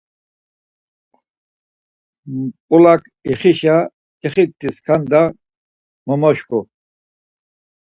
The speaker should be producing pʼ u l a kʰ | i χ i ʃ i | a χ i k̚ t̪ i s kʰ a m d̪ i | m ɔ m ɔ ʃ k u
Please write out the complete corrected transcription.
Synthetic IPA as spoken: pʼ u l a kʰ | i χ i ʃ a | i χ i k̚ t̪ i s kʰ a n d̪ a | m ɔ m ɔ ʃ k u